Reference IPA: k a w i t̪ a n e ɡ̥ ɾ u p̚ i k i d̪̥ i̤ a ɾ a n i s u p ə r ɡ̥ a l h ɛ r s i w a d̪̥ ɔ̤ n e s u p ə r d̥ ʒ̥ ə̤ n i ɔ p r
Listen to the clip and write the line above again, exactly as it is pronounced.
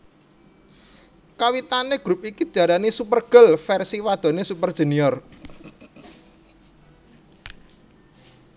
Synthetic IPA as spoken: k a w i t̪ a n e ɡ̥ ɾ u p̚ i k i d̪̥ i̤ a ɾ a n i s u p ə r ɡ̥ ə l f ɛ r s i w a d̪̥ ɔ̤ n e s u p ə r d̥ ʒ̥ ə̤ n i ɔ r